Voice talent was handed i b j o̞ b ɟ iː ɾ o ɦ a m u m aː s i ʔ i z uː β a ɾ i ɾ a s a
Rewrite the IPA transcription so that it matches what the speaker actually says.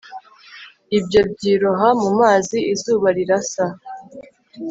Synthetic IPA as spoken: i b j o̞ b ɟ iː ɾ o ɦ a m u m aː z i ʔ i z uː β a ɾ i ɾ a s a

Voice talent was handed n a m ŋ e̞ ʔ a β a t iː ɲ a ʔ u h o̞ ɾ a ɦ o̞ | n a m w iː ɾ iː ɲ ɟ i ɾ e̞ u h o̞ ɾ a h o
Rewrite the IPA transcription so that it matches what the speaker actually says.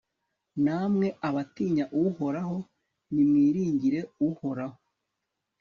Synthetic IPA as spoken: n a m ŋ e̞ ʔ a β a t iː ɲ a ʔ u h o̞ ɾ a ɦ o̞ | n i m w iː ɾ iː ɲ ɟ i ɾ e̞ u h o̞ ɾ a h o

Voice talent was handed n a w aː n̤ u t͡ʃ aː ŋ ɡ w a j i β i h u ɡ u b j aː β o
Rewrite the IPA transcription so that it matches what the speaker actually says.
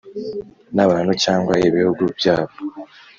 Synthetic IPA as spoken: n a β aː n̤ u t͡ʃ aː ŋ ɡ w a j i β i h u ɡ u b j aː β o

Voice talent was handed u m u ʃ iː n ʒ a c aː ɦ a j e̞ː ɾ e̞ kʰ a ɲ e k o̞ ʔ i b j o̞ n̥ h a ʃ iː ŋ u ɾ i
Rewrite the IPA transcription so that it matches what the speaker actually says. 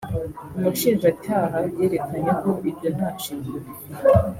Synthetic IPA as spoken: u m u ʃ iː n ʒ a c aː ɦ a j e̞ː ɾ e̞ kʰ a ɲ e k o̞ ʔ i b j o̞ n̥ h a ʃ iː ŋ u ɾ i

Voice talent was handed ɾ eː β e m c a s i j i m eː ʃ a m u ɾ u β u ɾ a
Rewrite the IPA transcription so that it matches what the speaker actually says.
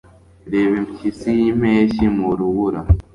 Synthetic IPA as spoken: ɾ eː β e m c i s i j i m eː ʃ i m u ɾ u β u ɾ a

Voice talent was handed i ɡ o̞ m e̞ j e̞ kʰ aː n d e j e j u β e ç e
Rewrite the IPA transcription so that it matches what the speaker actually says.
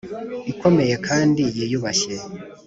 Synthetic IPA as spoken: i k o̞ m e̞ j e̞ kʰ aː n d i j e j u β a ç e

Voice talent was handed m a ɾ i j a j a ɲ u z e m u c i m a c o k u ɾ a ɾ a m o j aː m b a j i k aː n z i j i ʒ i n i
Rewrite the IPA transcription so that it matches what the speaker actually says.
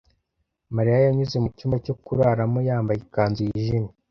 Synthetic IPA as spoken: m a ɾ i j a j a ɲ u z e m u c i m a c o k u ɾ a ɾ a m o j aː m b a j i k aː n z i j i ʒ i n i

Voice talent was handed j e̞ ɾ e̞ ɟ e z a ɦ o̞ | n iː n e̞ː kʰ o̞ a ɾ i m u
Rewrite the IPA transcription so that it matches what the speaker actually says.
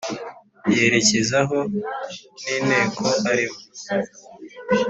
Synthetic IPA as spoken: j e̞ ɾ e̞ c e z a ɦ o̞ | n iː n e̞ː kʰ o̞ a ɾ i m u

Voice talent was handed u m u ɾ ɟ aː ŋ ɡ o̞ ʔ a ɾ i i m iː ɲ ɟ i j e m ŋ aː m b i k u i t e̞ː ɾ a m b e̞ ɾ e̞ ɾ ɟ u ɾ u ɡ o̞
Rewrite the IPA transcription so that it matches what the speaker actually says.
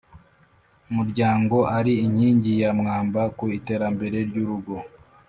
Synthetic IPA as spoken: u m u ɾ ɟ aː ŋ ɡ o̞ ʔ a ɾ i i ɲ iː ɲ ɟ i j a m ŋ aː m b a k u i t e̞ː ɾ a m b e̞ ɾ e̞ ɾ ɟ u ɾ u ɡ o̞

